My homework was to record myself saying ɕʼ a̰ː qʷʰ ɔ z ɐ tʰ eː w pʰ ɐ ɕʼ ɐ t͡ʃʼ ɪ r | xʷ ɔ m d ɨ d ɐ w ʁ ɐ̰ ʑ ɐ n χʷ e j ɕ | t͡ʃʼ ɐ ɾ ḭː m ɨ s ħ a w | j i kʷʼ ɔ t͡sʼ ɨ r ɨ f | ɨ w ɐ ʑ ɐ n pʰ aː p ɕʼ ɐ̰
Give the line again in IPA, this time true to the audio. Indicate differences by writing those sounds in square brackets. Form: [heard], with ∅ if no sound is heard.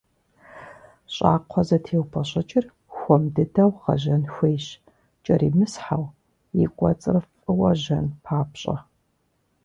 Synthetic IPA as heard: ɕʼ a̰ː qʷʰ ɔ z ɐ tʰ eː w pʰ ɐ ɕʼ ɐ t͡ʃʼ ɪ r | xʷ ɔ m d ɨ d ɐ w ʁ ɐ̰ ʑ ɐ n [xʷ] e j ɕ | t͡ʃʼ ɐ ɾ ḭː m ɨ s ħ a w | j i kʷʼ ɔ t͡sʼ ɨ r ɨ f | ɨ w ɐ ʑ ɐ n pʰ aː p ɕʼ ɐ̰